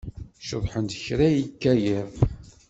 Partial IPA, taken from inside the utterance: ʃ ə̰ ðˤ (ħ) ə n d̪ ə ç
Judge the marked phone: correct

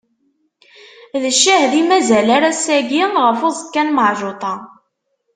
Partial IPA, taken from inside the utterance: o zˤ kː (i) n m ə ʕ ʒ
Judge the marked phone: incorrect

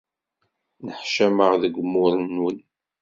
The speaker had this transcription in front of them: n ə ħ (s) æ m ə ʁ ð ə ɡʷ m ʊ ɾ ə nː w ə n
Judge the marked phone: incorrect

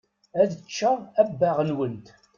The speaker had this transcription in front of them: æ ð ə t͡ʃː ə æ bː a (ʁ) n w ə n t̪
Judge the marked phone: correct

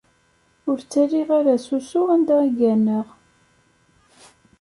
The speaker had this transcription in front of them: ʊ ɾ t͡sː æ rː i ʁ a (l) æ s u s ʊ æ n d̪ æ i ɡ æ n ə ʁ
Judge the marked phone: incorrect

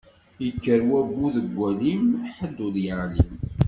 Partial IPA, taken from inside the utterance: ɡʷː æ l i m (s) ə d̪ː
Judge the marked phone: incorrect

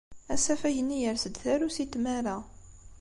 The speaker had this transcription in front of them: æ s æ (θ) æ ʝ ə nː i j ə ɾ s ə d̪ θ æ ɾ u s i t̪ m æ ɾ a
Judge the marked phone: incorrect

